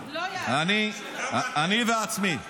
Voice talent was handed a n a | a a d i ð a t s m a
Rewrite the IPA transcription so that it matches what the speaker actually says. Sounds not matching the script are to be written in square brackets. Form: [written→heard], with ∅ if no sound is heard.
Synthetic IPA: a n [a→i] | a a [d→n] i ð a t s m [a→i]